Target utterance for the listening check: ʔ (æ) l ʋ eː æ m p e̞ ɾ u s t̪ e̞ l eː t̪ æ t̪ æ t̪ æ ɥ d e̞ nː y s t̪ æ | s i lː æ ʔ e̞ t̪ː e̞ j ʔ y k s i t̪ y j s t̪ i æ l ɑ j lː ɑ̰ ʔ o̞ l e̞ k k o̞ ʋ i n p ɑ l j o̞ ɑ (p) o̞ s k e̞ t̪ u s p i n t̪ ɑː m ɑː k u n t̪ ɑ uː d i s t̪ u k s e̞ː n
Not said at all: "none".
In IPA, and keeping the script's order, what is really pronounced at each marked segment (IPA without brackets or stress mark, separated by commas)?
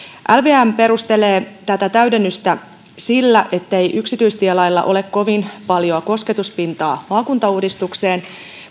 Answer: æ, k